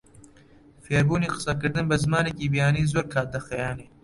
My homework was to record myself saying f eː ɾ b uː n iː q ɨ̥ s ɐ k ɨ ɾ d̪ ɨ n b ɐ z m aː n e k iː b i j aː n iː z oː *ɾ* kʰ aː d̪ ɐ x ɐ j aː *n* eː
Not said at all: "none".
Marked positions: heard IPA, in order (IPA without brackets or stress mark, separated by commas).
ɾ, n